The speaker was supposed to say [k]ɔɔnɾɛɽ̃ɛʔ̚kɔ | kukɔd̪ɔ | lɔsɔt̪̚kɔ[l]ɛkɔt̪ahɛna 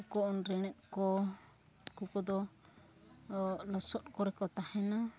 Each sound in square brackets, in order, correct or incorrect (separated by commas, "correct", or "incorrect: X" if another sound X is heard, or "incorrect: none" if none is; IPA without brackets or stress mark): correct, incorrect: ɾ